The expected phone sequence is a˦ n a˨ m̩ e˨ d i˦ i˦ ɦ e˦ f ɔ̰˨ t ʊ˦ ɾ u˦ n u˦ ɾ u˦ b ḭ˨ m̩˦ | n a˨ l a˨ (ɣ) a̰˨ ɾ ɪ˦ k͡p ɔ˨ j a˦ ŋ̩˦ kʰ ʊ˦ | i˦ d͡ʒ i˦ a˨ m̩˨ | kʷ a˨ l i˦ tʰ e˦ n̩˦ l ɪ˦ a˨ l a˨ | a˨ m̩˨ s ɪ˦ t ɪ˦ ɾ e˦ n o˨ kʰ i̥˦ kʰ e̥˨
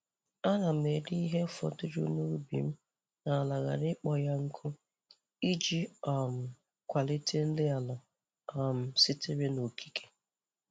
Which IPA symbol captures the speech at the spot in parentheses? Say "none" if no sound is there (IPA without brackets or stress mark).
ɣ